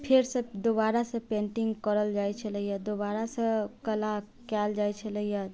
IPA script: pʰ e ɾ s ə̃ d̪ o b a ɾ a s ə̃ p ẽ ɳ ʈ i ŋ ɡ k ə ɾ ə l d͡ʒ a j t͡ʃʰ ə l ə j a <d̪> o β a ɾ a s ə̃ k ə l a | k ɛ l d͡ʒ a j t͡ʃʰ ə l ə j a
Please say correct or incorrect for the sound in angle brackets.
correct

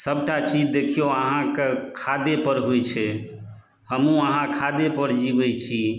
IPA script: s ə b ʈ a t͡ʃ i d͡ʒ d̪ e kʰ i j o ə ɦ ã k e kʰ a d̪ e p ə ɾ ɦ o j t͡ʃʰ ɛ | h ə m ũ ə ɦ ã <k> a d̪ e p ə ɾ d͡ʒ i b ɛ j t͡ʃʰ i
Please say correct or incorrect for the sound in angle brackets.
incorrect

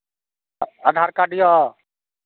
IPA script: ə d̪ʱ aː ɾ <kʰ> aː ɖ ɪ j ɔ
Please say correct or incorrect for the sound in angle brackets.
incorrect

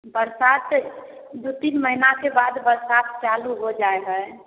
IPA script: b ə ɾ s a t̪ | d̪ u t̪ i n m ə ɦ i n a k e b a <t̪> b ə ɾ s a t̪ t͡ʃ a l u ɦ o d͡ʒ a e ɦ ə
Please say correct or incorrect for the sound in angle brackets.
incorrect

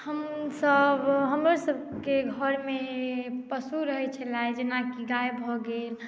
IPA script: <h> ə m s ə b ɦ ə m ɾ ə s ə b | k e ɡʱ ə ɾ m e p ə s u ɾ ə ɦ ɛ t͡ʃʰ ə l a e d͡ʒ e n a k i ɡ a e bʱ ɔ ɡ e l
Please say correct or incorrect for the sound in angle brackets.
correct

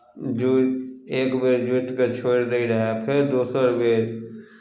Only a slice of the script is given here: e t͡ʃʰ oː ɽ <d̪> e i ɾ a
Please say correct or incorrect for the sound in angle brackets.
correct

